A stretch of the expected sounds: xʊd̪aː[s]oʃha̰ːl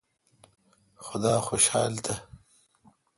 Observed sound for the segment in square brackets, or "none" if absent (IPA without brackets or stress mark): x